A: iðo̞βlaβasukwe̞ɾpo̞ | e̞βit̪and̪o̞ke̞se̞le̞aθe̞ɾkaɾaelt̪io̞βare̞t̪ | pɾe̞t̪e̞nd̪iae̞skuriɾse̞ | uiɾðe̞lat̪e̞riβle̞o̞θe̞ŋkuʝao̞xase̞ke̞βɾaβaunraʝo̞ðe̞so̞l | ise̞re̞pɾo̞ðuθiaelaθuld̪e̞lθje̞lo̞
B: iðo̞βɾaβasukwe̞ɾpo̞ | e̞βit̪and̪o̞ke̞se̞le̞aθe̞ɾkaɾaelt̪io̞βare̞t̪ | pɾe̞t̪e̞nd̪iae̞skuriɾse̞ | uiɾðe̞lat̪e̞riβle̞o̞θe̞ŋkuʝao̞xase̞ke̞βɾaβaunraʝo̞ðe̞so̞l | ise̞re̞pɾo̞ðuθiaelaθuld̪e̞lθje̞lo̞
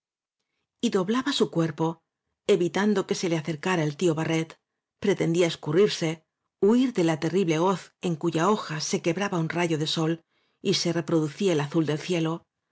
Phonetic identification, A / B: A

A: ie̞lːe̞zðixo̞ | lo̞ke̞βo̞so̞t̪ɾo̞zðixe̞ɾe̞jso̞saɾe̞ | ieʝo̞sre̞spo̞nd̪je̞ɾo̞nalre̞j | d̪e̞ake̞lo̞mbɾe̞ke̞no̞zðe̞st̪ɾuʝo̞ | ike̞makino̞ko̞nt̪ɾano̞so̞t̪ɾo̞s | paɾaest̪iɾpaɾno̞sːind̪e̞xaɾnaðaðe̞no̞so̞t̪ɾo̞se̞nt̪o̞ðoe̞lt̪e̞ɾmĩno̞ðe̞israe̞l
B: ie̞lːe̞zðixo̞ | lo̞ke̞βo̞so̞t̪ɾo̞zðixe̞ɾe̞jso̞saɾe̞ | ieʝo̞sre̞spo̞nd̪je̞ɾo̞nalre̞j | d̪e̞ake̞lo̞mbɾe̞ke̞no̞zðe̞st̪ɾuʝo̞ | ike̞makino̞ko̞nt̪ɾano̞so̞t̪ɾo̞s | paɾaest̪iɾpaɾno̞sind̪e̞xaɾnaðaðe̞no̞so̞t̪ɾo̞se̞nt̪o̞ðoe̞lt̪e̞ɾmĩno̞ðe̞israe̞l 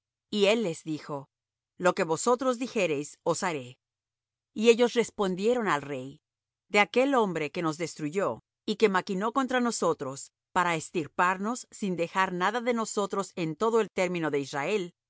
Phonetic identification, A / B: A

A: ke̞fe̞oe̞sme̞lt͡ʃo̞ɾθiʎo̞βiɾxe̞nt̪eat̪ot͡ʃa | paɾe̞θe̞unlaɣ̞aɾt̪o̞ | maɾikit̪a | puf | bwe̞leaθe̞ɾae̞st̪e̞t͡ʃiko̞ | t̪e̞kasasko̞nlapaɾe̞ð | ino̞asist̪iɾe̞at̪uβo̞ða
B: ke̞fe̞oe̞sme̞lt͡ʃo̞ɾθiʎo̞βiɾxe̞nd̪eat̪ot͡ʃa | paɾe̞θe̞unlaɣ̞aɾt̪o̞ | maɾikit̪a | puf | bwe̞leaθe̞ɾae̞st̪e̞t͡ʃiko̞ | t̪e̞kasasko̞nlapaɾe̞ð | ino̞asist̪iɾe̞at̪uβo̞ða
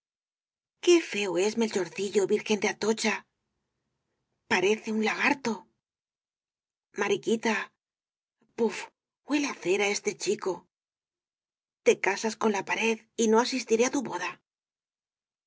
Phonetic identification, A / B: B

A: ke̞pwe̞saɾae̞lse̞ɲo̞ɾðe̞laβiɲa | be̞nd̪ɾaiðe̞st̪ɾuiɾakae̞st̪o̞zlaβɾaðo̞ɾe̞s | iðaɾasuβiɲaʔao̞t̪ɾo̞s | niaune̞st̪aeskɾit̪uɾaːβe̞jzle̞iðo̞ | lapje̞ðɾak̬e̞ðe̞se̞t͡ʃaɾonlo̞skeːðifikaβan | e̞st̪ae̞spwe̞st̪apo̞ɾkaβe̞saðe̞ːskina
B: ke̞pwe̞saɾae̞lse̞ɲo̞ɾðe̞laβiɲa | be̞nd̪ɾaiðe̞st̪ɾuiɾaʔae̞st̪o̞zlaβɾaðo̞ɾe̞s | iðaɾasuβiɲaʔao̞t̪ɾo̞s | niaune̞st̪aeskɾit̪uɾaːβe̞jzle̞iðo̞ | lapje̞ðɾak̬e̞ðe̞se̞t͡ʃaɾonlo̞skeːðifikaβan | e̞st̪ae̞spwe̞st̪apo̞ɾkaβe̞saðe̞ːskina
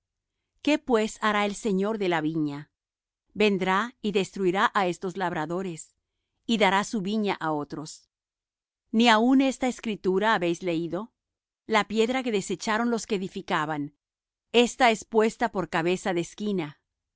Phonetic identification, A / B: B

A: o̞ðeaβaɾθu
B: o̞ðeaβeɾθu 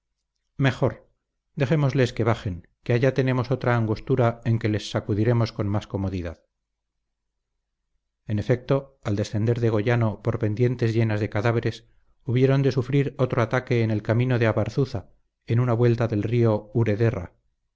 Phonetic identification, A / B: A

